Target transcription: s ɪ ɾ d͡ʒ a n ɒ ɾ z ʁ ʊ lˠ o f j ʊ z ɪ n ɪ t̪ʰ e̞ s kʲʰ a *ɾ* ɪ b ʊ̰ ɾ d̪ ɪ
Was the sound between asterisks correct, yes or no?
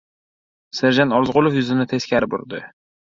yes